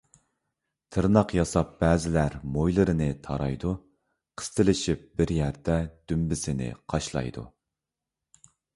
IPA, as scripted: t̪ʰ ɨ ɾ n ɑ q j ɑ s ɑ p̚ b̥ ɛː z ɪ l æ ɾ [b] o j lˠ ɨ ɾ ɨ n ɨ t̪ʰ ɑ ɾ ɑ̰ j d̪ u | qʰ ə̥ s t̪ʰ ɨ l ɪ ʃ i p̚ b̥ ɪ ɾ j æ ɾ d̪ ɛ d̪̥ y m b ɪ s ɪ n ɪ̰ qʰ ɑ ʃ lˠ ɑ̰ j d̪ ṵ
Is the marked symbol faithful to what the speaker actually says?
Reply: no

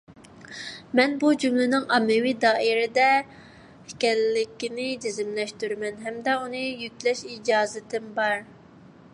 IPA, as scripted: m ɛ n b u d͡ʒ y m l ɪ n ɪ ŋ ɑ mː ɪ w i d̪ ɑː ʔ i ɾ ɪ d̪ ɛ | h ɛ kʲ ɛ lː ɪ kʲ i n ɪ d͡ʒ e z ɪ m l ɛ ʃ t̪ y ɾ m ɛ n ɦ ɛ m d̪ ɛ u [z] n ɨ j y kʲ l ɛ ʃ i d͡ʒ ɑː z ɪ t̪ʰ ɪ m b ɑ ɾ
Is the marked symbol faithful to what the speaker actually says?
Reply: no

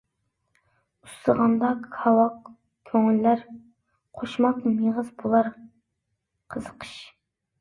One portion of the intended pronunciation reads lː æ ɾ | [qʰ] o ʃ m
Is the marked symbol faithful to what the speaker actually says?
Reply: yes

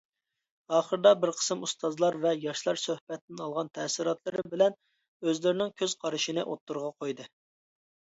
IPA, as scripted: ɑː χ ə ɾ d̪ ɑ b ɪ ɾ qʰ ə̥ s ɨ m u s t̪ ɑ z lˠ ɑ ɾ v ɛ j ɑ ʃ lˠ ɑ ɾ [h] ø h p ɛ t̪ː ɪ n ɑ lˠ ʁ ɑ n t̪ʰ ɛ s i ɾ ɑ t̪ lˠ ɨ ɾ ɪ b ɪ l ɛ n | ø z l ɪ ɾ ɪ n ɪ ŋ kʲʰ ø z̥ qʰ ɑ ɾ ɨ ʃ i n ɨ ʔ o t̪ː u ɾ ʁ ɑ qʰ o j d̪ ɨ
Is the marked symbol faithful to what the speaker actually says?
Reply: no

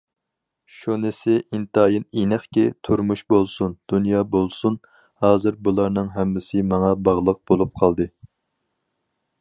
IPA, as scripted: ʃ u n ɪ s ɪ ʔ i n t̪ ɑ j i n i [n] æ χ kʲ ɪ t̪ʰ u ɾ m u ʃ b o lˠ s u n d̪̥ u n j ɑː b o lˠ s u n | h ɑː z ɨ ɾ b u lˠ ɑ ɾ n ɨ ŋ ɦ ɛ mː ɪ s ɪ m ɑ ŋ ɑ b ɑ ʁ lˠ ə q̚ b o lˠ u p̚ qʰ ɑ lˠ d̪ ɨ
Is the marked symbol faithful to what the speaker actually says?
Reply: yes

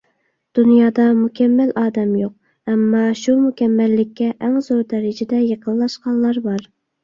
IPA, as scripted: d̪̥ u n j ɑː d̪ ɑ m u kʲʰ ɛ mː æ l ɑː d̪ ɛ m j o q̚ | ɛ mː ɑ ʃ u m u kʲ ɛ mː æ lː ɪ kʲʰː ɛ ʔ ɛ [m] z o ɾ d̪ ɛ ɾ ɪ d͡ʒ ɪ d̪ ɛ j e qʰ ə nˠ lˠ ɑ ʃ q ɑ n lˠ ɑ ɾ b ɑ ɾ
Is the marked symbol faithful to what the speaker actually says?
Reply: no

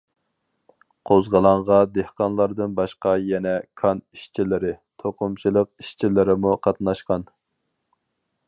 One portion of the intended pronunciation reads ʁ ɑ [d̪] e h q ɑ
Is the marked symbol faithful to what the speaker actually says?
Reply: yes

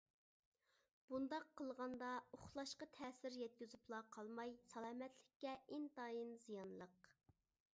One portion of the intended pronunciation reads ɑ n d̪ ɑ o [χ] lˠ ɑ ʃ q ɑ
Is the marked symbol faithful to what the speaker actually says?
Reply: yes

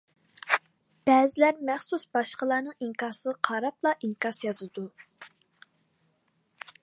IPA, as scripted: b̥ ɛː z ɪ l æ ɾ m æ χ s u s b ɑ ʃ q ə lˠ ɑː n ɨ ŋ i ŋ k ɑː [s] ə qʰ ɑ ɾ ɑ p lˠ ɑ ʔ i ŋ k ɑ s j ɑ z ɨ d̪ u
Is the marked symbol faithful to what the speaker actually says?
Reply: yes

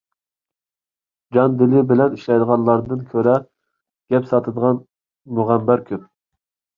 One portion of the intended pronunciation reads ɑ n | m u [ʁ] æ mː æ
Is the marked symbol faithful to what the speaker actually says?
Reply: yes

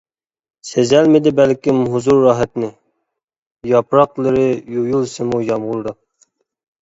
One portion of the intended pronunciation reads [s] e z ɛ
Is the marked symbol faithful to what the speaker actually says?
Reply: yes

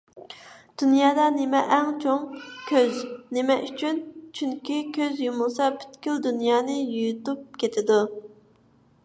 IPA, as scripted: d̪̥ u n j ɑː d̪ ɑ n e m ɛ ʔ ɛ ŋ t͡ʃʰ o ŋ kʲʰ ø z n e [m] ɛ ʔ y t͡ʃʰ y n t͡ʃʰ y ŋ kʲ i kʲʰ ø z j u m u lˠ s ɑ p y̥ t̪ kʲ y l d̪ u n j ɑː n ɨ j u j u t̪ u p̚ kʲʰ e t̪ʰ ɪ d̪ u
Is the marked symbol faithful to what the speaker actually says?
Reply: yes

